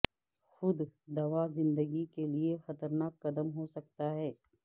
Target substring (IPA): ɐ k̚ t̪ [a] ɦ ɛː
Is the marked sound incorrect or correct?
correct